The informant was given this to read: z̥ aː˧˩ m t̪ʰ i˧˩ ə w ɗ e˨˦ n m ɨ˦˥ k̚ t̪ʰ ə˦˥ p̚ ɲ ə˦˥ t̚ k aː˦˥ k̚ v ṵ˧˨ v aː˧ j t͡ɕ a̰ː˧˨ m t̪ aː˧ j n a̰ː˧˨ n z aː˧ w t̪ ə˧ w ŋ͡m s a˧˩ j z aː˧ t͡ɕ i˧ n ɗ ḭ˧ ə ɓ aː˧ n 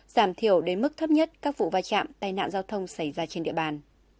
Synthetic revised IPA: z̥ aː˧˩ m t̪ʰ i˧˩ ə w ɗ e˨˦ n m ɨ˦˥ k̚ t̪ʰ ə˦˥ p̚ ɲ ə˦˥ t̚ k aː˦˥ k̚ v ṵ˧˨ v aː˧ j t͡ɕ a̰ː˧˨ m t̪ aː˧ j n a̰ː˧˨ n z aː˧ w t̪ʰ ə˧ w ŋ͡m s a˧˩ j z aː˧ t͡ɕ e˧ n ɗ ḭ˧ ə ɓ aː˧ n